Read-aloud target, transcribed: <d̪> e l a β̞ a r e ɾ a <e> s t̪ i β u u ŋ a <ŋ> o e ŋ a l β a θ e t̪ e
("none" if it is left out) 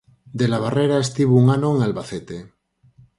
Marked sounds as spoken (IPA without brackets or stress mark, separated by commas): d̪, e, n